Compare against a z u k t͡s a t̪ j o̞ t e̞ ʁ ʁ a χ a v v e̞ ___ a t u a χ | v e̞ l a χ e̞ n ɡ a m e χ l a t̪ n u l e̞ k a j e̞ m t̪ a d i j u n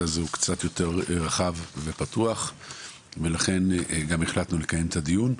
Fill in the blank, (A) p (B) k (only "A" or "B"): A